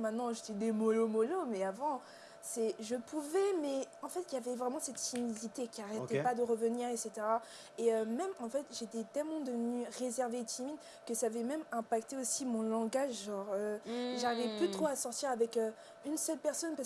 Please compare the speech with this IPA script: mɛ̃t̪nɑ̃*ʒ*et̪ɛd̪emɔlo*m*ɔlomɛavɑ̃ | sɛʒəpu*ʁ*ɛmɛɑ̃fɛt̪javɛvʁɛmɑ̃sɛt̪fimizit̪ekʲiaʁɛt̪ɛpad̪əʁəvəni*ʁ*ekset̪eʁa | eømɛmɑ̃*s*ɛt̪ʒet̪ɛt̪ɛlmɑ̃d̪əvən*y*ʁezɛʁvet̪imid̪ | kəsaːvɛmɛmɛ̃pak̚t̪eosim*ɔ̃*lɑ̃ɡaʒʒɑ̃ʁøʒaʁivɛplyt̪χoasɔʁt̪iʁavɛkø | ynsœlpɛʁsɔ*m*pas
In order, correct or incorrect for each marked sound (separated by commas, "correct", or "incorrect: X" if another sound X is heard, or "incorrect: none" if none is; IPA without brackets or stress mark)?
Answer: correct, correct, incorrect: v, correct, incorrect: f, correct, correct, incorrect: n